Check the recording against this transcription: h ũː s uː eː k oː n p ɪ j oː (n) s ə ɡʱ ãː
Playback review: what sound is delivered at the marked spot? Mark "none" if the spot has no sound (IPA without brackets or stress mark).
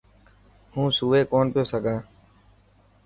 none